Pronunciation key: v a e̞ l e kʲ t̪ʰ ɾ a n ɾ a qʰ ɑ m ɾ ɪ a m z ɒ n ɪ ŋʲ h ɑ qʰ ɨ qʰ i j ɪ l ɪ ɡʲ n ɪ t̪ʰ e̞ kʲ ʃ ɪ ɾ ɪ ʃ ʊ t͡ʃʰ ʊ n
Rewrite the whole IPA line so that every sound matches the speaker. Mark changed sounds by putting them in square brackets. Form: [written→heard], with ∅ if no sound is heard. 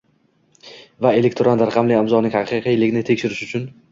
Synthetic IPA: v a e̞ l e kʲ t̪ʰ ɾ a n ɾ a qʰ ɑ m [ɾ→l] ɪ a m z ɒ n ɪ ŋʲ h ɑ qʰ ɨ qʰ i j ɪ l ɪ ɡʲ n ɪ t̪ʰ e̞ kʲ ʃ ɪ ɾ ɪ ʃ ʊ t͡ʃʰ ʊ n

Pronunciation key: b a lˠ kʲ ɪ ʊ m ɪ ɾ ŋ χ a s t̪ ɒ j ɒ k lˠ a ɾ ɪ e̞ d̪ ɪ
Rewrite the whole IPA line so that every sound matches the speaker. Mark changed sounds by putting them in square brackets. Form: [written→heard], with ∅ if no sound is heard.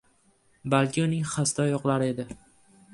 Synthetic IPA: b a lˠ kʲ ɪ ʊ [m→n] ɪ [ɾ→∅] ŋ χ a s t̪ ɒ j ɒ [k→q] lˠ a ɾ ɪ e̞ d̪ ɪ

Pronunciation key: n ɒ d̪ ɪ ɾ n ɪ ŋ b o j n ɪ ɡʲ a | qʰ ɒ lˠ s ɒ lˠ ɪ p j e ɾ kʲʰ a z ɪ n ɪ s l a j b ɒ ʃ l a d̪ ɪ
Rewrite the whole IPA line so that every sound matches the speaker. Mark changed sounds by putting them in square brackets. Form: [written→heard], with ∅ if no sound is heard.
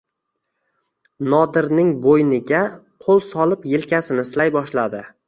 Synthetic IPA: n ɒ d̪ ɪ ɾ n ɪ ŋ b o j n ɪ ɡʲ a | qʰ [ɒ→o] lˠ s ɒ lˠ ɪ p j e [ɾ→l] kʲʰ a [z→s] ɪ n ɪ s l a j b ɒ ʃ l a d̪ ɪ

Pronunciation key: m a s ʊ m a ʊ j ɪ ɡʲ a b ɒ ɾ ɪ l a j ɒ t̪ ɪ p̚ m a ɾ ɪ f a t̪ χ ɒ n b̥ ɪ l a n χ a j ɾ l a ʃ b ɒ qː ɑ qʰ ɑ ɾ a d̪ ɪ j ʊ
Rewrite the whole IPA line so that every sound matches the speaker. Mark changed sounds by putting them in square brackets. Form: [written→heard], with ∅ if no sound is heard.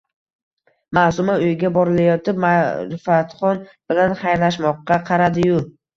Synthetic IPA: m a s ʊ m a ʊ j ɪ ɡʲ a b ɒ ɾ ɪ l a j ɒ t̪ ɪ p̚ m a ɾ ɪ f a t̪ χ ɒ n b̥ ɪ l a n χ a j ɾ l a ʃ [b→m] ɒ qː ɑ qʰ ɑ ɾ a d̪ ɪ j ʊ

